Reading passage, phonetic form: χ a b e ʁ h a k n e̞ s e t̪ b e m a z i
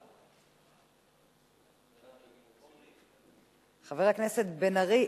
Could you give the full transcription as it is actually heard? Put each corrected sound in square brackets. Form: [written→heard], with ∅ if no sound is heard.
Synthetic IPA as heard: χ a [b→v] e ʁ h a k n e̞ s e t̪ b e [m→n] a [z→ʁ] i